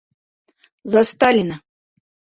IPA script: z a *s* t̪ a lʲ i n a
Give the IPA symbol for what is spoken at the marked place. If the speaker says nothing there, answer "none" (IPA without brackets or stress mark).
s